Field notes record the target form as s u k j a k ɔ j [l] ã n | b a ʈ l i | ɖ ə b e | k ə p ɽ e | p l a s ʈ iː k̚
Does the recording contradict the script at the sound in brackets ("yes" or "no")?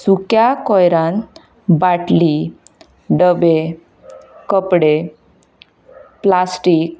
yes